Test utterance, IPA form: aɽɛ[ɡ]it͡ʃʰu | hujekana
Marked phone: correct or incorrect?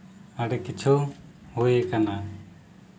incorrect